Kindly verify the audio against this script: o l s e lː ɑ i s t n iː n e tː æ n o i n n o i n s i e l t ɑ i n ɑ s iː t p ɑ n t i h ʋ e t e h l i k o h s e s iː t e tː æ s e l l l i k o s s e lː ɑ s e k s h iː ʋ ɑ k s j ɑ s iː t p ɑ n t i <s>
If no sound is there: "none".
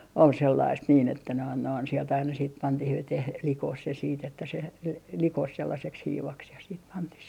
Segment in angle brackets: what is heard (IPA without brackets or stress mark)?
h